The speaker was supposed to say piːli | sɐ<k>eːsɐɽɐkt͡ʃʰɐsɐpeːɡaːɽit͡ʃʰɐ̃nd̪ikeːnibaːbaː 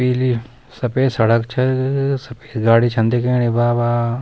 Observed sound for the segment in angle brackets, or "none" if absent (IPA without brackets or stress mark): p